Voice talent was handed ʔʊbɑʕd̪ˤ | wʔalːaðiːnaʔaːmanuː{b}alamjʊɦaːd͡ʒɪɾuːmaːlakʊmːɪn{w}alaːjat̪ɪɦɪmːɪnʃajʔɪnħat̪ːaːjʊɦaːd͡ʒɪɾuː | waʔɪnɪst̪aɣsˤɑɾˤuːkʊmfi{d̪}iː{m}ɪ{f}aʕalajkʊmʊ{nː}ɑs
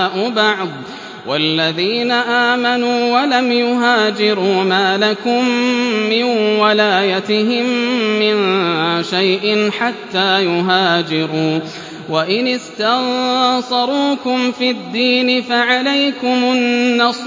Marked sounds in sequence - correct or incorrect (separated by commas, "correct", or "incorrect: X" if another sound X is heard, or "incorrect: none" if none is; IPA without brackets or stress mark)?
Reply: incorrect: w, correct, incorrect: d̪ː, incorrect: n, correct, correct